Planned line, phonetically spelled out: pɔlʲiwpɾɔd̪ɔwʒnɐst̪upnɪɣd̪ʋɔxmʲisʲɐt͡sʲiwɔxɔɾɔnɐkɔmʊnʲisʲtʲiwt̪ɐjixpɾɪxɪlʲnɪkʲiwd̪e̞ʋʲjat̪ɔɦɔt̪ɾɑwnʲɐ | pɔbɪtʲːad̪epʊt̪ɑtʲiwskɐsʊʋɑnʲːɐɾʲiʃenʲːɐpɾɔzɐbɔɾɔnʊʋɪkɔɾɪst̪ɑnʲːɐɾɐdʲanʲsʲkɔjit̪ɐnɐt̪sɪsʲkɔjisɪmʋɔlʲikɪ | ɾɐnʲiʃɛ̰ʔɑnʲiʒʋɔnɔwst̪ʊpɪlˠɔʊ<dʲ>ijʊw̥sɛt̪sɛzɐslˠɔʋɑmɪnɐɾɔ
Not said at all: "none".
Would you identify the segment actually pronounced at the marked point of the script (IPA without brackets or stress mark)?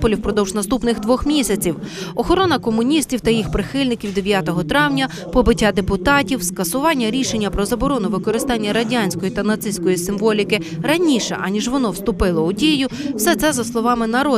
dʲ